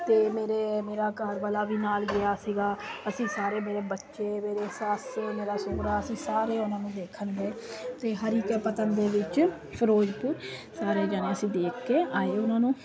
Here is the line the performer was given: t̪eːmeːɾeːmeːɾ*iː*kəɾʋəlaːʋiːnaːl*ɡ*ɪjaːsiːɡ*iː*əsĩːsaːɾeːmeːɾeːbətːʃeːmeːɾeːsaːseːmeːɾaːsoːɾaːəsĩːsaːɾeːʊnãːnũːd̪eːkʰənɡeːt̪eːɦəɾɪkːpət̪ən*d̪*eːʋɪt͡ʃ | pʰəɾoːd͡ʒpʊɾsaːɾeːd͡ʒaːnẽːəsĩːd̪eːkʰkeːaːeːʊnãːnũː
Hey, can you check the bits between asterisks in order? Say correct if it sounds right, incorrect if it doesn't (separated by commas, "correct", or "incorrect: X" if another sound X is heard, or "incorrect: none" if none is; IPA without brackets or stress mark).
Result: incorrect: aː, correct, incorrect: aː, correct